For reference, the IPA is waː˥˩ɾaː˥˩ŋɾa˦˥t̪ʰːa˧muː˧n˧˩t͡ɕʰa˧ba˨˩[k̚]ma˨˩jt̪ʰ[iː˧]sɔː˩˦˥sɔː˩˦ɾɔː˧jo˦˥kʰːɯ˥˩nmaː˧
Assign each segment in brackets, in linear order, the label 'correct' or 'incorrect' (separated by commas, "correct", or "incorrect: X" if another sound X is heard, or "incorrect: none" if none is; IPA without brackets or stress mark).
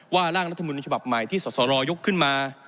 incorrect: p̚, incorrect: iː˥˩